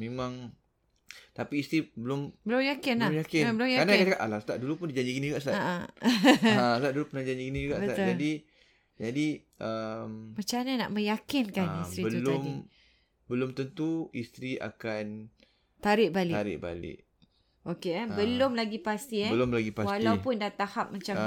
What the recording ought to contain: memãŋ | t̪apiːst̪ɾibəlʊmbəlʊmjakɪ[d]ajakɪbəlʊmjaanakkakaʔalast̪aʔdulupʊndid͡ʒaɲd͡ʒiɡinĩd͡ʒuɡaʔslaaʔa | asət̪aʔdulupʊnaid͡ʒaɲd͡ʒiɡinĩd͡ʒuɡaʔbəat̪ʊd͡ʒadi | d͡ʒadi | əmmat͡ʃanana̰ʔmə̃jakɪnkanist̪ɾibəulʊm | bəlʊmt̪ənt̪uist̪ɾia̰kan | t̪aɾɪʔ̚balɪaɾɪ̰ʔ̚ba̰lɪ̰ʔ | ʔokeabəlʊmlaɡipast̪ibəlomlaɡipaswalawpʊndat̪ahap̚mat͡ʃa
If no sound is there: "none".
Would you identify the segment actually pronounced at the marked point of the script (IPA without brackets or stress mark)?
n